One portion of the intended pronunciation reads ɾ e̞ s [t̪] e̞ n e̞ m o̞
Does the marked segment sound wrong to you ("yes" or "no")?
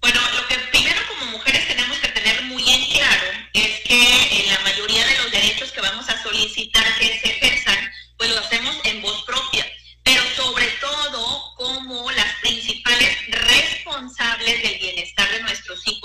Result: no